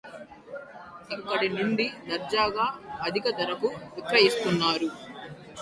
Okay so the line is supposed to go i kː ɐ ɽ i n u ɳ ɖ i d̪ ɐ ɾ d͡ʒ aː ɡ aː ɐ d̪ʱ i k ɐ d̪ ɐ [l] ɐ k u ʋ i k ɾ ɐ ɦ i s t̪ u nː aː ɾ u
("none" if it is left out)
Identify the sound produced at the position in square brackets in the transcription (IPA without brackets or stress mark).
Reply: ɾ